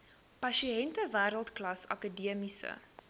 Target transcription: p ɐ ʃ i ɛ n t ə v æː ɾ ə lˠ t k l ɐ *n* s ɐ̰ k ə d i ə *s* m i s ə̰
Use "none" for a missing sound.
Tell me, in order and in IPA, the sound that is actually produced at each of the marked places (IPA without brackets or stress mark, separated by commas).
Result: none, none